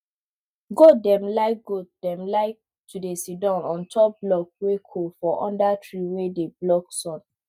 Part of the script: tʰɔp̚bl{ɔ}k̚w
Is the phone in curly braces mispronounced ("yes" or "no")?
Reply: no